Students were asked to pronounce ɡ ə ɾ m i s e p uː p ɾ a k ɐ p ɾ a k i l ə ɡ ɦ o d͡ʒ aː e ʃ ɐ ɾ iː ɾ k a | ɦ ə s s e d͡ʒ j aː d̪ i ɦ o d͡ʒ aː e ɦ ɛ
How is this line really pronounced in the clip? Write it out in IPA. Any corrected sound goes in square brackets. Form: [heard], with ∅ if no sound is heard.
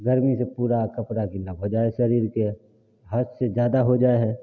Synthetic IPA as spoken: ɡ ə ɾ m i s e p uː [∅] ɾ a k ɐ p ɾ a k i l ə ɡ ɦ o d͡ʒ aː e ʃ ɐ ɾ iː ɾ k [e] | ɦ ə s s e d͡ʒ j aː d̪ [a] ɦ o d͡ʒ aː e ɦ ɛ